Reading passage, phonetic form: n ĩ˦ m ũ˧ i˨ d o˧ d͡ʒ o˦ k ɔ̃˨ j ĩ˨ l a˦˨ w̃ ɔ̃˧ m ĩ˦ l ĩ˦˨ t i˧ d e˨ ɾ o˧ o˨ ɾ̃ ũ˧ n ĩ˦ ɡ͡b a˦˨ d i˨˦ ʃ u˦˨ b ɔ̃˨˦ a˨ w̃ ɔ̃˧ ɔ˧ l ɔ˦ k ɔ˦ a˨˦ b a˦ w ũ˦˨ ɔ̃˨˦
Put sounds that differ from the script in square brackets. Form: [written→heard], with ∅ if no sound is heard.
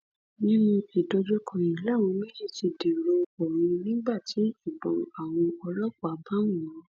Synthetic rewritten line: n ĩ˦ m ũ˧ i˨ d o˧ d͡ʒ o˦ k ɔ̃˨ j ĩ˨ l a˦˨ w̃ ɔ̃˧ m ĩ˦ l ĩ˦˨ t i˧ d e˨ ɾ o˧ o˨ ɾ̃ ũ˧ n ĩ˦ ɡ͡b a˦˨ [d→t] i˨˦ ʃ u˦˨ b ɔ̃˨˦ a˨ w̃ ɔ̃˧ ɔ˧ l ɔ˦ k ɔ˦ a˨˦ b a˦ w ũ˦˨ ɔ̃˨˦